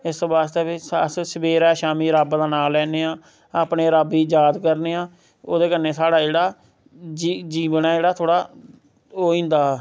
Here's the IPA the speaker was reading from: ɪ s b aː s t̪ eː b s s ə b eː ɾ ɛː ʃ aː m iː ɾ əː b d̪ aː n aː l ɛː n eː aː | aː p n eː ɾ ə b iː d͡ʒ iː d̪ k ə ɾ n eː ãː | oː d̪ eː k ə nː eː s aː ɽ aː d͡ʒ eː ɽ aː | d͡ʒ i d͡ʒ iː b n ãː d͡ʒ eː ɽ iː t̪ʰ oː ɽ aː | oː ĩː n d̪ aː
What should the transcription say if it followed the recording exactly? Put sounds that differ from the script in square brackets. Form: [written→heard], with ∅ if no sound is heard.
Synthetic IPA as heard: ɪ s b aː s t̪ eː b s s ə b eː ɾ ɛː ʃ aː m iː ɾ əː b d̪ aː n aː l ɛː n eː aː | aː p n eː ɾ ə b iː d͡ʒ [iː→aː] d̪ k ə ɾ n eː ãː | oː d̪ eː k ə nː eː s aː ɽ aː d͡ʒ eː ɽ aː | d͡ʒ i d͡ʒ iː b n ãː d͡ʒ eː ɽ [iː→aː] t̪ʰ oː ɽ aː | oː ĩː n d̪ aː

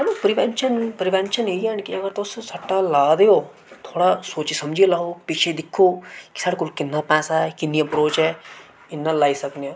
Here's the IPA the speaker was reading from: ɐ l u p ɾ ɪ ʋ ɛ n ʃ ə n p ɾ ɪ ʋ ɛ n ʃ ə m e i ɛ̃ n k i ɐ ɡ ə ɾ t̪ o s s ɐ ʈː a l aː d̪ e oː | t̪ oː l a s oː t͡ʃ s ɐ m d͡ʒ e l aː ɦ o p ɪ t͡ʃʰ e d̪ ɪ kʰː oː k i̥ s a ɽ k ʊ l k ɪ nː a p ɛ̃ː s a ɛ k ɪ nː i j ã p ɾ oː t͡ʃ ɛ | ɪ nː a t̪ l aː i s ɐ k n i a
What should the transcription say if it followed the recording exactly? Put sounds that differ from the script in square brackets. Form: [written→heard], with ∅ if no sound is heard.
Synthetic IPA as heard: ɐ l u p ɾ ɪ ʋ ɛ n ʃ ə n p ɾ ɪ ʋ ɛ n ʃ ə [m→n] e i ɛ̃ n k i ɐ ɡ ə ɾ t̪ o s s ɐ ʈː a l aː d̪ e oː | [t̪→t̪ʰ] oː [l→ɽ] a s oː t͡ʃ s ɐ m d͡ʒ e l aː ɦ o p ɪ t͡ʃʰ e d̪ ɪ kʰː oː k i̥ s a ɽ k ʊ l k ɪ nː a p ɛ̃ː s a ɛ k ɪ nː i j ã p ɾ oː t͡ʃ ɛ | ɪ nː a [t̪→∅] l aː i s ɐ k n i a

